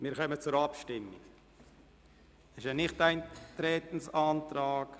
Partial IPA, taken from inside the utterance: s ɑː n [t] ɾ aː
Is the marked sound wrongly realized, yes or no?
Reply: no